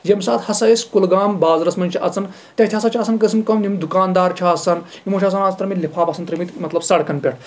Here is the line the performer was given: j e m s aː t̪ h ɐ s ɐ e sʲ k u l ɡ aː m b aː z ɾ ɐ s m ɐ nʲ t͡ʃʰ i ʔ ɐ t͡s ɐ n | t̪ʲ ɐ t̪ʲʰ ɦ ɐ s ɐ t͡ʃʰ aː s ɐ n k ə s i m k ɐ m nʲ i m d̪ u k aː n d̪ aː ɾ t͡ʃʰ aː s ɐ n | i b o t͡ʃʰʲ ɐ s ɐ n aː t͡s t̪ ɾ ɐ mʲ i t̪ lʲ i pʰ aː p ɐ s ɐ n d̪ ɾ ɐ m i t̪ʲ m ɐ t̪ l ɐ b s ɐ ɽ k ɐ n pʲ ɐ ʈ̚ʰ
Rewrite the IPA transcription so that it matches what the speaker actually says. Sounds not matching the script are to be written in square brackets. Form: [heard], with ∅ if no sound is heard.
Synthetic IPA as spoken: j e m s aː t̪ h ɐ s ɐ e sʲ k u l ɡ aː m b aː z ɾ ɐ s m ɐ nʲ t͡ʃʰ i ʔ ɐ t͡s ɐ n | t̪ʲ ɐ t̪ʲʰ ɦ ɐ s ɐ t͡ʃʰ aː s ɐ n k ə s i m k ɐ m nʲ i m d̪ u k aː n d̪ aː ɾ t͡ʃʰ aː s ɐ n | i [m] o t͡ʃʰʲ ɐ s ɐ n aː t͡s t̪ ɾ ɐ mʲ i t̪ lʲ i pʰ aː p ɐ s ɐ n [t̪] ɾ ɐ m i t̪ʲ m ɐ t̪ l ɐ b s ɐ ɽ k ɐ n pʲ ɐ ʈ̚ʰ